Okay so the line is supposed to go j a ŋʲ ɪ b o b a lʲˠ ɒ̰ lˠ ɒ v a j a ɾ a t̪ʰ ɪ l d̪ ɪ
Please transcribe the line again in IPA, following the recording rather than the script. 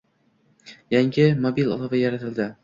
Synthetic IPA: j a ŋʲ ɪ m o b i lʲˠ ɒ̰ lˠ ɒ v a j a ɾ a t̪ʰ ɪ l d̪ ɪ